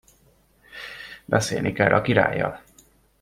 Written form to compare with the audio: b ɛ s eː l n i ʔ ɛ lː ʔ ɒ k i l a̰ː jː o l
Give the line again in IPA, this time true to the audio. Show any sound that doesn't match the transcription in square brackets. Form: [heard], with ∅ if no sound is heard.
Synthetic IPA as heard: b ɛ s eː l n i [k] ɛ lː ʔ ɒ k i [ɾ] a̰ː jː [ɒ] l